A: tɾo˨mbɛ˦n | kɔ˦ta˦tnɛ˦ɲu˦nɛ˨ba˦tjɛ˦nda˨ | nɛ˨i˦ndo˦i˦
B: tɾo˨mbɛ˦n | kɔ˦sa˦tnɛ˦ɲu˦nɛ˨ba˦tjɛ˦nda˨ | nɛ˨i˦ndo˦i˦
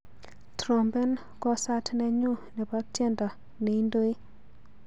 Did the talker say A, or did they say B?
B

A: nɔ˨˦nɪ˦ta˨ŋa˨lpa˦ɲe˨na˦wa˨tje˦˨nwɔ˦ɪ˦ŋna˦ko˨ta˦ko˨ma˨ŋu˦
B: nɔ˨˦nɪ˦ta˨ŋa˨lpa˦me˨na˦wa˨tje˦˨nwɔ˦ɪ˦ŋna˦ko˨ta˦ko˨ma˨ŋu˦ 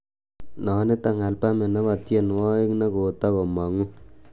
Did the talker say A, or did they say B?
B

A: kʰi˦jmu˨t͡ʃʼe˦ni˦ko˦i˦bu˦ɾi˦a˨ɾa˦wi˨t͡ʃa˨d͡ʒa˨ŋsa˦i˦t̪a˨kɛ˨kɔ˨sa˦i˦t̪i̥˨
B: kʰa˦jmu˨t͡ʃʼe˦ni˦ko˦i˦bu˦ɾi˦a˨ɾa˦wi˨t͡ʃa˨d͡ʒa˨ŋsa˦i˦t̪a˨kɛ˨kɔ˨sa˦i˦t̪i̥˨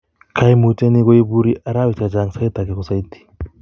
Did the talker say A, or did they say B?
B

